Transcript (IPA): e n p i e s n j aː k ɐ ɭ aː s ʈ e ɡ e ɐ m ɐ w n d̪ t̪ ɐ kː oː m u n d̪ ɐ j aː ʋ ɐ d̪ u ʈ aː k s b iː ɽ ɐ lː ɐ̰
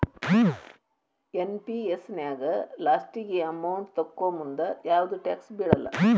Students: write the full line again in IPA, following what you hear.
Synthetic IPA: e n p i e s n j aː ɡ ɐ l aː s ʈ i ɡ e ɐ m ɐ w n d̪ t̪ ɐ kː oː m u n d̪ ɐ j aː ʋ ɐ d̪ u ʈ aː k s b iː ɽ ɐ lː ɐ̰